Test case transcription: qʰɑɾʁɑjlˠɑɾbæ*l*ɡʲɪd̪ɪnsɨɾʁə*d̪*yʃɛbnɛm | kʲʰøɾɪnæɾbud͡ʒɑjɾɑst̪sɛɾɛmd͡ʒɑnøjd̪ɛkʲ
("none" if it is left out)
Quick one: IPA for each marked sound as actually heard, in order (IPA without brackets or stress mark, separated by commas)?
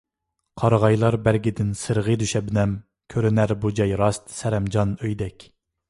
ɾ, d̪